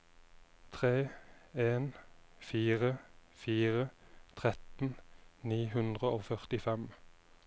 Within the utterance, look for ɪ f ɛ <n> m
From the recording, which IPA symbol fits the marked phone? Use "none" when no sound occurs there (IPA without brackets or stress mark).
none